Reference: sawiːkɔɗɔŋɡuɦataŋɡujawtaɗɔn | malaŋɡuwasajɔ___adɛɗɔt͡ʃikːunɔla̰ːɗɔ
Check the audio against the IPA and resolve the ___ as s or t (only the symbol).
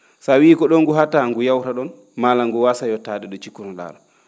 t